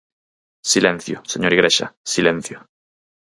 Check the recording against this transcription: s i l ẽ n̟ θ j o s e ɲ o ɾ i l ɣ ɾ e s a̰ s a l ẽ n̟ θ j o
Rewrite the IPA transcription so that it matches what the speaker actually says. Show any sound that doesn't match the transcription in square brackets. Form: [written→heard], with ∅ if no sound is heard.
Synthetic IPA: s i l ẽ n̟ θ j o s e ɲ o ɾ i [l→∅] ɣ ɾ e [s→ʃ] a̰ s [a→i] l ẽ n̟ θ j o

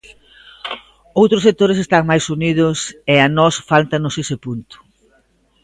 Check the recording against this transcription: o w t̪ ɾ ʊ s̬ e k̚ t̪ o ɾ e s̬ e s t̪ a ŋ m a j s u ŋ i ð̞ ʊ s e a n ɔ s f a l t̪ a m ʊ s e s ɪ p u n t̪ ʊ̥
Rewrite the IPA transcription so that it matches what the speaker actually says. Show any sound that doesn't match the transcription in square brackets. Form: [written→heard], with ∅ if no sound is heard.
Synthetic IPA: o w t̪ ɾ ʊ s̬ e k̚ t̪ o ɾ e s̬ e s t̪ a ŋ m a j s u [ŋ→n] i ð̞ ʊ s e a n ɔ s f a l t̪ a [m→n] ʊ s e s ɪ p u n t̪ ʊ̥

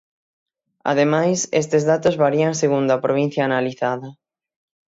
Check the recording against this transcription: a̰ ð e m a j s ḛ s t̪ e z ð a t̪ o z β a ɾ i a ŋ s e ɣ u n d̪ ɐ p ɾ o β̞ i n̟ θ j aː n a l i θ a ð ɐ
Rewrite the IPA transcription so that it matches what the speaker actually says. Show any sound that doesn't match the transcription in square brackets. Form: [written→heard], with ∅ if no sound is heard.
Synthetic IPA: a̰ ð e m a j s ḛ s t̪ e z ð a t̪ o z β a ɾ i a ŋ s e ɣ u n d̪ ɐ p ɾ o β̞ i n̟ θ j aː n a l i θ a ð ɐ

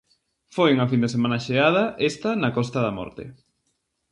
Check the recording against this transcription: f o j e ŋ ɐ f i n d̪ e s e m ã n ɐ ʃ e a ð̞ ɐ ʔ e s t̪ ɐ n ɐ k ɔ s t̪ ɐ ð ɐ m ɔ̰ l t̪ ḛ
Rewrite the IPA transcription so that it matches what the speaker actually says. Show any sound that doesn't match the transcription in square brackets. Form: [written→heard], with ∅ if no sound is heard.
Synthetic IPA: f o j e ŋ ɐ f i n d̪ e s e m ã n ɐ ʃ e a ð̞ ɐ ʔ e s t̪ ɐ n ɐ k ɔ s t̪ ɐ ð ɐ m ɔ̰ [l→ɾ] t̪ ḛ

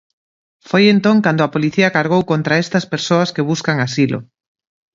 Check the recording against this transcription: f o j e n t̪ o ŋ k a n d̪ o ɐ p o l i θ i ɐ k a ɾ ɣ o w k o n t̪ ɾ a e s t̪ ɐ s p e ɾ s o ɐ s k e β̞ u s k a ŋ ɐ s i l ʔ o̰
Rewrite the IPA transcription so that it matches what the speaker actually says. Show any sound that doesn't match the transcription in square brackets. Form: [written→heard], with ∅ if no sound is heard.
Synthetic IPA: f o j e n t̪ o ŋ k a n d̪ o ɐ p o l i θ i ɐ k a ɾ ɣ o w k o n t̪ ɾ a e s t̪ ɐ s p e ɾ s o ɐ s k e β̞ u s k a ŋ [ɐ→a] s i l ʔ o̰

